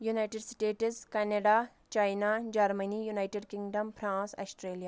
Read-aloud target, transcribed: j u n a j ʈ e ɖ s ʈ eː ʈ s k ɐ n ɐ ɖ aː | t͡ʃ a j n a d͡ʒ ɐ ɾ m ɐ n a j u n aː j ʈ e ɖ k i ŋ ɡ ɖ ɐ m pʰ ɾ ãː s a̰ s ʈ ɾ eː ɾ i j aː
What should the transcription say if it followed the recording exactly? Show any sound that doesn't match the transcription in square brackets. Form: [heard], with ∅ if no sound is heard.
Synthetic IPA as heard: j u n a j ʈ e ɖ s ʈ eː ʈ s k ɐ n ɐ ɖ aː | t͡ʃ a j n a d͡ʒ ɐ ɾ m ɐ n [i] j u n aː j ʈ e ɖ k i ŋ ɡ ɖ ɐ m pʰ ɾ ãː s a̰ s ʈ ɾ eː [l] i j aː

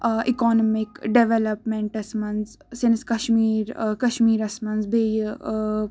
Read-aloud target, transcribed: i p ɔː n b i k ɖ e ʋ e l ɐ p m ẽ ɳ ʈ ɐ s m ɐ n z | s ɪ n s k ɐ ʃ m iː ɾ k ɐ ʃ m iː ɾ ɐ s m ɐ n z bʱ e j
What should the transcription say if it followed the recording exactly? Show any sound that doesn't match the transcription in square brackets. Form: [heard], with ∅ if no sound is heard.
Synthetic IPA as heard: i [k] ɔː n [m] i k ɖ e ʋ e l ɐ p m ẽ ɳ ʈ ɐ s m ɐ n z | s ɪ n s k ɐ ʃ m iː ɾ k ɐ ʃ m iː ɾ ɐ s m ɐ n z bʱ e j

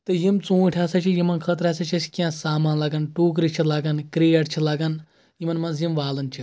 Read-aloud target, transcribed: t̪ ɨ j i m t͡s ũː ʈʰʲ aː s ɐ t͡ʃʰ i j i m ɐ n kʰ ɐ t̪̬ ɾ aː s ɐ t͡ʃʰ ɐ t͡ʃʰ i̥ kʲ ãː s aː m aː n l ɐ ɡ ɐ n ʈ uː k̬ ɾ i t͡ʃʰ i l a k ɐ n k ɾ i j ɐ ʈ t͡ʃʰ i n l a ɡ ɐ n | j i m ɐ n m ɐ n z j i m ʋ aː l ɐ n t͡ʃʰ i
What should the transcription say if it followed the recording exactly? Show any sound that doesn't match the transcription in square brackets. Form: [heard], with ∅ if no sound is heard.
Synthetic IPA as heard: t̪ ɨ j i m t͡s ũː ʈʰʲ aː s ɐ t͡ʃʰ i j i m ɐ n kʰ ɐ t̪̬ ɾ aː s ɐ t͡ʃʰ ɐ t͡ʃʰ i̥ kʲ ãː s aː m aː n l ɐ ɡ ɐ n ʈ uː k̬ ɾ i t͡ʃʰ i l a [ɡ] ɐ n k ɾ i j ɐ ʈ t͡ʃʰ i [∅] l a ɡ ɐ n | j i m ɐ n m ɐ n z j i m ʋ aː l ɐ n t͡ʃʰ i

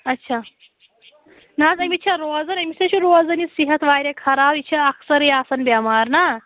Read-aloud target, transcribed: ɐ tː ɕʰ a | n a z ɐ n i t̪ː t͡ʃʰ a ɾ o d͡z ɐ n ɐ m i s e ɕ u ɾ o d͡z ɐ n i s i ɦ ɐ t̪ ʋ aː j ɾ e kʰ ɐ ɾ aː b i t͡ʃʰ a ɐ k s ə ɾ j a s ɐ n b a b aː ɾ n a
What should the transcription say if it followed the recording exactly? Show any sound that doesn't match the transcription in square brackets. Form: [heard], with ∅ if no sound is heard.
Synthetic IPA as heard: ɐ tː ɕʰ a | n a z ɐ [m] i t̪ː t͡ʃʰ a ɾ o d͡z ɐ n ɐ m i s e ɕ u ɾ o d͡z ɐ n i s i ɦ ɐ t̪ ʋ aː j ɾ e kʰ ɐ ɾ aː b i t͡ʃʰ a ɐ k s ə ɾ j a s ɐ n b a [m] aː ɾ n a

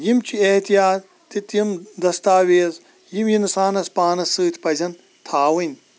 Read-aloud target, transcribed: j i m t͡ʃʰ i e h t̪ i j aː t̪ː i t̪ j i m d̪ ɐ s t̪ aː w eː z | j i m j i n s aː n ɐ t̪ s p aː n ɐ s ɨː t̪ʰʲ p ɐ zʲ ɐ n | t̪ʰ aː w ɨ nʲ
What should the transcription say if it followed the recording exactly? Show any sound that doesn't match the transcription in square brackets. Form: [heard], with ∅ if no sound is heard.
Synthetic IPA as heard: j i m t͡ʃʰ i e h t̪ i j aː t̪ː i t̪ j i m d̪ ɐ s t̪ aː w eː z | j i m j i n s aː n ɐ [∅] s p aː n ɐ s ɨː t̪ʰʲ p ɐ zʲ ɐ n | t̪ʰ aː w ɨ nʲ

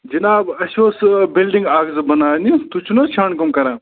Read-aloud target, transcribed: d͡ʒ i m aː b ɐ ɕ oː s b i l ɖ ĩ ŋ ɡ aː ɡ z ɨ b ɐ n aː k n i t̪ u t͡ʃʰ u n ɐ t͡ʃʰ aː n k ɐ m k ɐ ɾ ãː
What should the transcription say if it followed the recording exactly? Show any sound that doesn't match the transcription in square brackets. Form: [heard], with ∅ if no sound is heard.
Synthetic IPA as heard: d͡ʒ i [n] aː b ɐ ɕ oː s b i l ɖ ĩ ŋ ɡ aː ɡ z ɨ b ɐ n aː [∅] n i t̪ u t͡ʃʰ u n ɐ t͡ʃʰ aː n k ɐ m k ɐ ɾ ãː

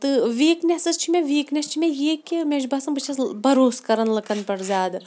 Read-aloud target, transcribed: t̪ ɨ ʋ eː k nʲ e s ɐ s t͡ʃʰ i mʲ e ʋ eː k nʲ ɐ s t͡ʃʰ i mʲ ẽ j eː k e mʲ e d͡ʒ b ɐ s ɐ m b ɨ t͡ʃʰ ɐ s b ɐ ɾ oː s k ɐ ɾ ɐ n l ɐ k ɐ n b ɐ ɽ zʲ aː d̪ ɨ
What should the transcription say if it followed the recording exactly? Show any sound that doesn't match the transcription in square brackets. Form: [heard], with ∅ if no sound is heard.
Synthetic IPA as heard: t̪ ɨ ʋ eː k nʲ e s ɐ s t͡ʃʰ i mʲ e ʋ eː k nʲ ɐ s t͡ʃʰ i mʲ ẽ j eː k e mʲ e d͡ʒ b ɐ s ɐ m b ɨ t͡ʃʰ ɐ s b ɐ ɾ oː s k ɐ ɾ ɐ n l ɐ k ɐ n [p] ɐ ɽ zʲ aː d̪ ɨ

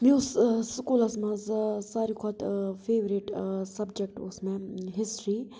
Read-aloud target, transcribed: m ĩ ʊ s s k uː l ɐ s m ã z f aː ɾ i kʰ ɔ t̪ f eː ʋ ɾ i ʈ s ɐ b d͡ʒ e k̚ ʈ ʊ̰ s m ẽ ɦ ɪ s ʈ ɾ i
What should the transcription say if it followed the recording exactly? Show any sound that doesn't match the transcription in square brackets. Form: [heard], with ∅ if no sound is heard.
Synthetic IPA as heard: m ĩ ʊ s s k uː l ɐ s m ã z [s] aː ɾ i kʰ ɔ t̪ f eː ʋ ɾ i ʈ s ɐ b d͡ʒ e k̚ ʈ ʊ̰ s m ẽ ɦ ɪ s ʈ ɾ i

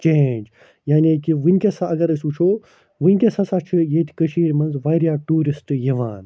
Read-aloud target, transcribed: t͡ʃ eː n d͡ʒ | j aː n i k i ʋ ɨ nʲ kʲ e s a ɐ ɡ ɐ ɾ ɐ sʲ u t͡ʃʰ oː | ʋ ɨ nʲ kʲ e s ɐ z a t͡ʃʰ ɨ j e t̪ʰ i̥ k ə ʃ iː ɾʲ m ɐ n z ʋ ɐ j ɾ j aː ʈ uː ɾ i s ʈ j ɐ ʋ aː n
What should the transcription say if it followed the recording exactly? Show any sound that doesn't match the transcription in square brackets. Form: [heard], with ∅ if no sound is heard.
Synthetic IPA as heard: t͡ʃ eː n d͡ʒ | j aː n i k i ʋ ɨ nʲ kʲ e s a ɐ ɡ ɐ ɾ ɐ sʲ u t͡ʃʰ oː | ʋ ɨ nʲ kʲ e s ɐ [s] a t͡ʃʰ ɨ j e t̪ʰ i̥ k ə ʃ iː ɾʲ m ɐ n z ʋ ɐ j ɾ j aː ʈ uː ɾ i s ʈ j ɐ ʋ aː n

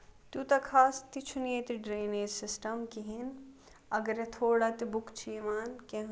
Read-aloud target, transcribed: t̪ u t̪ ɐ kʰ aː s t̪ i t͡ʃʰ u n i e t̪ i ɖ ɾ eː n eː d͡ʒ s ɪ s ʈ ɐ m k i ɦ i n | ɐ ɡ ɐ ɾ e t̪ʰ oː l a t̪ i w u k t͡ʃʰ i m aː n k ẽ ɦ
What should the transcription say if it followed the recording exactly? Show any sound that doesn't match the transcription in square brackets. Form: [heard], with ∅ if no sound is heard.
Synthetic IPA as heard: t̪ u t̪ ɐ kʰ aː s t̪ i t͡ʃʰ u n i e t̪ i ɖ ɾ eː n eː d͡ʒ s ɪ s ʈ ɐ m k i ɦ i n | ɐ ɡ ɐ ɾ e t̪ʰ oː [ɽ] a t̪ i [b] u k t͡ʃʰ i m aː n k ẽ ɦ

